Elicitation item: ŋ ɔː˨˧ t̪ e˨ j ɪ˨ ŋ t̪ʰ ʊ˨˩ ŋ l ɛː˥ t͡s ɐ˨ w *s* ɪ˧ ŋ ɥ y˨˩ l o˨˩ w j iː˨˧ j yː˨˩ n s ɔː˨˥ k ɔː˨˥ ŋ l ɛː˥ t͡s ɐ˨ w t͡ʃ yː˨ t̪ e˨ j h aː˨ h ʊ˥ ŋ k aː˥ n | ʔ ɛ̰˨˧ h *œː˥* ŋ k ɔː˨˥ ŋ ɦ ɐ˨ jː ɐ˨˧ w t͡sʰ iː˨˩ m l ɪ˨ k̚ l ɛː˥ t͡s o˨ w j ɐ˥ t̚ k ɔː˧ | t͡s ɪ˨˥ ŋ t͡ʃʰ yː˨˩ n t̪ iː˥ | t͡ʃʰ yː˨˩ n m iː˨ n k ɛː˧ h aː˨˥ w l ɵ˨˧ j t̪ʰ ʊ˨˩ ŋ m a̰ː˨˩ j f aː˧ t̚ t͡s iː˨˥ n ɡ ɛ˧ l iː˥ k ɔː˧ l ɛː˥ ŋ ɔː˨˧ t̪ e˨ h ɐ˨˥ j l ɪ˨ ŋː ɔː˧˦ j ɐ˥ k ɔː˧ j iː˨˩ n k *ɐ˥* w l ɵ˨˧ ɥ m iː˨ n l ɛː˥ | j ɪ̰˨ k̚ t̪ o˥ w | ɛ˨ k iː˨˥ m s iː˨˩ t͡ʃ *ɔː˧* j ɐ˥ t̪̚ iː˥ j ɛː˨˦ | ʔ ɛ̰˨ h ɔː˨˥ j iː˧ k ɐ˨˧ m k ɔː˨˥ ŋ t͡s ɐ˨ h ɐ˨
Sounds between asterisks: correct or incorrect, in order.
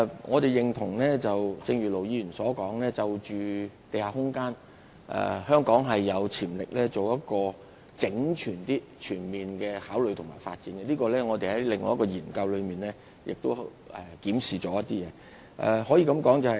incorrect, correct, incorrect, incorrect

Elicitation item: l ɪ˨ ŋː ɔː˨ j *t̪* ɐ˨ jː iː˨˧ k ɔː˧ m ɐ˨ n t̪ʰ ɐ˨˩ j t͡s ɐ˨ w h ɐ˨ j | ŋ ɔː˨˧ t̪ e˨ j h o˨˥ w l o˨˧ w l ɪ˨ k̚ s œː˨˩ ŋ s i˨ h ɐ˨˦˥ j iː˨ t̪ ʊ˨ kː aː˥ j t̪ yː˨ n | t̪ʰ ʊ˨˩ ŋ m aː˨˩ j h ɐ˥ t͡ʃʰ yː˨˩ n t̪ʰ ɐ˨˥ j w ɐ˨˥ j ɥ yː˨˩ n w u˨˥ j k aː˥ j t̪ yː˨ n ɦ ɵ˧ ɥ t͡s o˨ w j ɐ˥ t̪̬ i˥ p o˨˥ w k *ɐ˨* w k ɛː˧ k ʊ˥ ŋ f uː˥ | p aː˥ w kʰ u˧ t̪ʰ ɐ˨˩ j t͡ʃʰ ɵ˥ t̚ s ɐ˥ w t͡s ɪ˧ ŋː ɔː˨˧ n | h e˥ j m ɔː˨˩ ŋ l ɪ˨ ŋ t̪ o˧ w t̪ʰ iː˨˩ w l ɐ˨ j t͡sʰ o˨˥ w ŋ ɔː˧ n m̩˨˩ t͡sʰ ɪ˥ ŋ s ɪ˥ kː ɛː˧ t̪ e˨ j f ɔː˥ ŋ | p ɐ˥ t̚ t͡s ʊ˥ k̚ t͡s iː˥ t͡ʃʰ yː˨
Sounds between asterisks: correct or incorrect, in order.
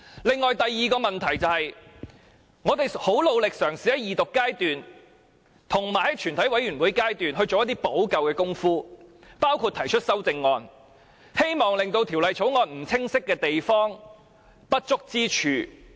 correct, correct

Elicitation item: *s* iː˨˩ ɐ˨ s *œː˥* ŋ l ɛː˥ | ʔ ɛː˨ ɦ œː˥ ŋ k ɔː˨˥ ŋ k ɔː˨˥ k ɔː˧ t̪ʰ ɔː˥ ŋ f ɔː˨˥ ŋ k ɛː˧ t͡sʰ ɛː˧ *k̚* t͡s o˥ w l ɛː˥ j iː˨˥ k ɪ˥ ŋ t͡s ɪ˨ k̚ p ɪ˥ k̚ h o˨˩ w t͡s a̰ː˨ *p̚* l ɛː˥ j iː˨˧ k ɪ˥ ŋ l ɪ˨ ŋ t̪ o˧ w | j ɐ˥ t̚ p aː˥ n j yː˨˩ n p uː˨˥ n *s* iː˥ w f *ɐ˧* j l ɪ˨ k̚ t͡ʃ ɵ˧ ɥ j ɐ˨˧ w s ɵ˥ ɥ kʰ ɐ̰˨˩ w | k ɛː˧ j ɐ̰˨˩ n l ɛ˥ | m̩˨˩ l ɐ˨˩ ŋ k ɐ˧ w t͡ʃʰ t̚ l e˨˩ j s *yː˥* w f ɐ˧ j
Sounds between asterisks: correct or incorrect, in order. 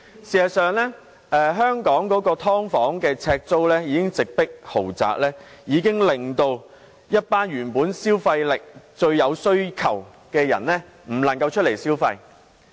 correct, incorrect, correct, incorrect, correct, correct, incorrect

